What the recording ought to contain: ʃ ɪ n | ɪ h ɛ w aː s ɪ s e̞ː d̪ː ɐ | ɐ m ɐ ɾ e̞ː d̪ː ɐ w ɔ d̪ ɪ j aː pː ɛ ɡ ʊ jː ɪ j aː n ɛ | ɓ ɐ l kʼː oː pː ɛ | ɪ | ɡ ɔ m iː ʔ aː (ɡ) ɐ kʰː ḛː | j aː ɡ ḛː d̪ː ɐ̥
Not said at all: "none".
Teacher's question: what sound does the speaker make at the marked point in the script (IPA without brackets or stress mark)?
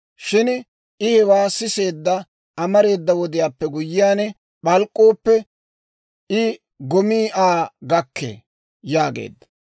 ɡ